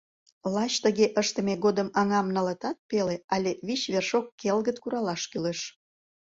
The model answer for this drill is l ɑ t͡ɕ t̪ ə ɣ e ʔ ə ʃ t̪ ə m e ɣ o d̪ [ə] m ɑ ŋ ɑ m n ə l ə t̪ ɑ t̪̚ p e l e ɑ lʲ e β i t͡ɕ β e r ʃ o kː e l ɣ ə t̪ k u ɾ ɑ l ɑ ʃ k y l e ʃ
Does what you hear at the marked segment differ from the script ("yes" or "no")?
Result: no